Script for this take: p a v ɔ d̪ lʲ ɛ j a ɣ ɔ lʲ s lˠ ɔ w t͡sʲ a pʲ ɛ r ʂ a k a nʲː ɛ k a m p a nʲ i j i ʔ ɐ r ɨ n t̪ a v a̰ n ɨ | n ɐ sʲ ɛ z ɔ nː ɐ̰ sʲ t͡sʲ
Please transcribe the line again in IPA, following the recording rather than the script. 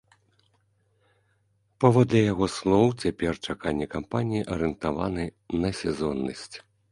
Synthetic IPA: p a v ɔ d̪ lʲ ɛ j a ɣ ɔ s lˠ ɔ w t͡sʲ a pʲ ɛ r t͡ʂ a k a nʲː ɛ k a m p a nʲ i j i ʔ ɐ ɾ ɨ n t̪ a v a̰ n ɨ | n ɐ sʲ ɛ z ɔ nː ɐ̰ sʲ t͡sʲ